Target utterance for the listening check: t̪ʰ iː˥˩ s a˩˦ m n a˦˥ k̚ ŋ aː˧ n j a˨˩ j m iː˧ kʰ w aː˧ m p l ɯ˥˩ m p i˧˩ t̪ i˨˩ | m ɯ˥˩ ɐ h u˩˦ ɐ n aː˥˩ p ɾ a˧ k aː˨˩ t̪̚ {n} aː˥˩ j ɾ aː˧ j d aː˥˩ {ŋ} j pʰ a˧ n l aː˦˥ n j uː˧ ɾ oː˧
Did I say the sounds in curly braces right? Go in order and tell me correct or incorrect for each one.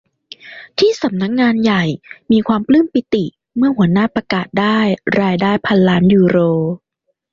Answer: incorrect: d, incorrect: none

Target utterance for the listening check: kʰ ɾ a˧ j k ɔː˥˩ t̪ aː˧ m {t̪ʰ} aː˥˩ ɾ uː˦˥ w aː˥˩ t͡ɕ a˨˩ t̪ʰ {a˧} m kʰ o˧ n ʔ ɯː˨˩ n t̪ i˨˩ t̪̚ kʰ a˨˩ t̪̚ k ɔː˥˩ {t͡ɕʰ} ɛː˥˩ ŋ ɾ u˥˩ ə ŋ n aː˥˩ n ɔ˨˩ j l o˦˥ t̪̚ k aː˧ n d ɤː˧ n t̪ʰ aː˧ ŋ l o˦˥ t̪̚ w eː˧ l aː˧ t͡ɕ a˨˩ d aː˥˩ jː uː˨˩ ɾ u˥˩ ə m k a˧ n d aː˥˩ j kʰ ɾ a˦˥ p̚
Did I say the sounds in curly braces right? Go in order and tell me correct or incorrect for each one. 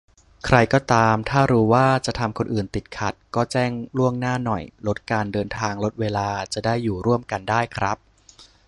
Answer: correct, correct, incorrect: t͡ɕ

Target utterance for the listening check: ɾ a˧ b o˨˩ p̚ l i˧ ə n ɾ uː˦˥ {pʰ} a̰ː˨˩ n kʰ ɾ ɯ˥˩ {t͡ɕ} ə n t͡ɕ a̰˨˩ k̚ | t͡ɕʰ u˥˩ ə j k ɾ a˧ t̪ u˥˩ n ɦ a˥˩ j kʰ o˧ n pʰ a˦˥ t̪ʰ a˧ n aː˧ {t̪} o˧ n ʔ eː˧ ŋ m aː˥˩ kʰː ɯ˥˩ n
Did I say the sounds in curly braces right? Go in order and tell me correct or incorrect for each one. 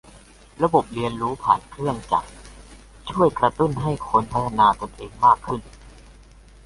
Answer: correct, incorrect: none, correct

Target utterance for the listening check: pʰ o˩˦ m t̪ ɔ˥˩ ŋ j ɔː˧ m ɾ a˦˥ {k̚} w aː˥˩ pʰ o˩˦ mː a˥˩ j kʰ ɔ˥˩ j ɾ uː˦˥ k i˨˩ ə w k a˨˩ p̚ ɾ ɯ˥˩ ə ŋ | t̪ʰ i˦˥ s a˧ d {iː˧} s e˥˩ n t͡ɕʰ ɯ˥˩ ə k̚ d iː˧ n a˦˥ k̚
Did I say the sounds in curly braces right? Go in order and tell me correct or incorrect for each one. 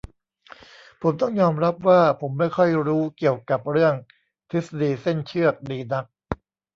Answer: incorrect: p̚, correct

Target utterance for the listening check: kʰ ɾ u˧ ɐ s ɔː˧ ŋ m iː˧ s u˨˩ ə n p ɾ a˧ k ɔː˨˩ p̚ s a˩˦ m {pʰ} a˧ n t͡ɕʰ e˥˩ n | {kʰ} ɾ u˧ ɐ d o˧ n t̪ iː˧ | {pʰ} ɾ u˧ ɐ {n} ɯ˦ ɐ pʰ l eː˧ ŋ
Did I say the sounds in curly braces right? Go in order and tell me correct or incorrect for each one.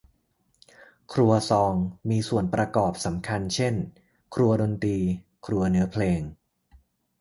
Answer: incorrect: kʰ, correct, incorrect: kʰ, correct

